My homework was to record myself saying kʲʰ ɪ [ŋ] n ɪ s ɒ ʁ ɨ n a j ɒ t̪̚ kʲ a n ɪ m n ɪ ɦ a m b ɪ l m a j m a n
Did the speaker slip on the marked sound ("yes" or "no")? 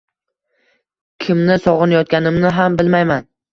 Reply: yes